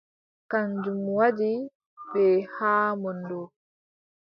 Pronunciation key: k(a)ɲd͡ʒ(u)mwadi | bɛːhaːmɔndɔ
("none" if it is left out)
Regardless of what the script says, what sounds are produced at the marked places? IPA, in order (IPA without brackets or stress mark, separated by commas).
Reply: a, u